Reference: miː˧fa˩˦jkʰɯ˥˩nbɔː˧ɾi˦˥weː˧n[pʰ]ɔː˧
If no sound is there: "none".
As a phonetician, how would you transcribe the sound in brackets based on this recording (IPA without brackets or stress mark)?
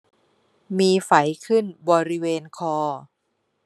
kʰ